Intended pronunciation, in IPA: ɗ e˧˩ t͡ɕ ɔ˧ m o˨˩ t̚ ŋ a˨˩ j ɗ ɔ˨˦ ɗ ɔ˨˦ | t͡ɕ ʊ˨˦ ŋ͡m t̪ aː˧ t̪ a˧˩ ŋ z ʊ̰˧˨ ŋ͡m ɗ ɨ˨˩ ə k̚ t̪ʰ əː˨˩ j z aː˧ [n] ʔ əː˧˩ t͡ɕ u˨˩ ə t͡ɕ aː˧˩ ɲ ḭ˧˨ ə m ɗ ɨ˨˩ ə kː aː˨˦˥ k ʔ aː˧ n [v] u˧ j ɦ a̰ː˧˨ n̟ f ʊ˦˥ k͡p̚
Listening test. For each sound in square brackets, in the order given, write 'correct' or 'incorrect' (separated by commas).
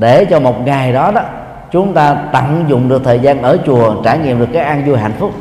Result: correct, incorrect